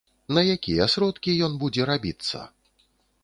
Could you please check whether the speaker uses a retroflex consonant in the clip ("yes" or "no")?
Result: no